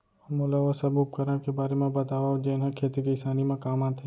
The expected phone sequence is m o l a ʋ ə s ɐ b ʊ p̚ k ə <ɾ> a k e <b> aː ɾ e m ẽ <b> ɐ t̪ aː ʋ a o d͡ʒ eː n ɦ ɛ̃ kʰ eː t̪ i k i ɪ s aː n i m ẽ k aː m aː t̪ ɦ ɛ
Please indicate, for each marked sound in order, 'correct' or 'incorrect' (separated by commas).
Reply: correct, correct, correct